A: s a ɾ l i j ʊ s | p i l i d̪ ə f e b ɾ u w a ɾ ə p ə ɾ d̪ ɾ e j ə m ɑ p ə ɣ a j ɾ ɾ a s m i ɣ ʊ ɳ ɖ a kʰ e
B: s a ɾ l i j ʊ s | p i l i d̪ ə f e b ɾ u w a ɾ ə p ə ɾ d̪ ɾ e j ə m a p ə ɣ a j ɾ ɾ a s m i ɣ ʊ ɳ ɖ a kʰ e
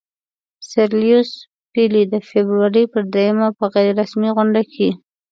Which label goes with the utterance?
B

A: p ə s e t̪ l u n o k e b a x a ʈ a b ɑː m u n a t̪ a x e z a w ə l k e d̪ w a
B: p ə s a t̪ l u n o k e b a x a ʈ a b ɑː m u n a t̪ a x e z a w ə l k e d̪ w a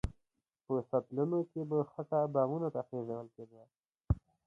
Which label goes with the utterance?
B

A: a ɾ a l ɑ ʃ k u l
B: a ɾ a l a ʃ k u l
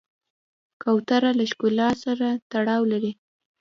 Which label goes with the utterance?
B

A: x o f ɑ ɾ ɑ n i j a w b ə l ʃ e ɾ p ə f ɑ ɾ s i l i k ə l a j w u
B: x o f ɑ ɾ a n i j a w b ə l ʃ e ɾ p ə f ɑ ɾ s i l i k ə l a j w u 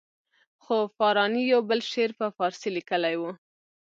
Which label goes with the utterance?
A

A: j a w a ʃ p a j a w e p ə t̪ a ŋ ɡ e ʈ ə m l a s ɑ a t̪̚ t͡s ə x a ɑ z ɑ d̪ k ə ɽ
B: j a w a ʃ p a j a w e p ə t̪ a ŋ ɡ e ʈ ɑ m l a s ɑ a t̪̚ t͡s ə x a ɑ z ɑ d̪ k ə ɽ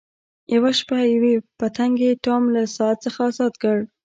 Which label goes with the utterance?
B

